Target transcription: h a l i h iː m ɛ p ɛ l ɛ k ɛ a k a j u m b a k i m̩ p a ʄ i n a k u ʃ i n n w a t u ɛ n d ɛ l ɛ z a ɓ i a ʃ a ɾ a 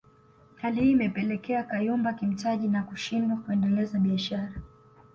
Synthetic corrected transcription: h a l i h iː m ɛ p ɛ l ɛ k ɛ a k a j u m b a k i m̩ t a ʄ i n a k u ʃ i n d w a k u ɛ n d ɛ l ɛ z a ɓ i a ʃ a ɾ a